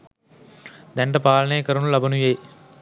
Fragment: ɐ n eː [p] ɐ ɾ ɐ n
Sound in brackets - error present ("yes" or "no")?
yes